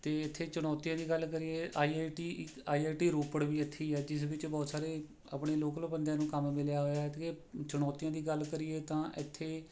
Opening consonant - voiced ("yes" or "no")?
no